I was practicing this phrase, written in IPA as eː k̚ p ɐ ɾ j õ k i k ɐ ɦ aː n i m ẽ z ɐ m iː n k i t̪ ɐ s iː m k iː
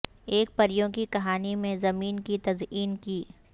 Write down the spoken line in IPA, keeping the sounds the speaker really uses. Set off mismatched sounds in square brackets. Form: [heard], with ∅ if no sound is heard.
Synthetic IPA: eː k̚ p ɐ ɾ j õ k i k ɐ ɦ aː n i m ẽ z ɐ m iː n k i t̪ ɐ [z] iː [n] k iː